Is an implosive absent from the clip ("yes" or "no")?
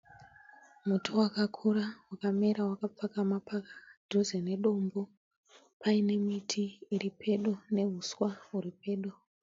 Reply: no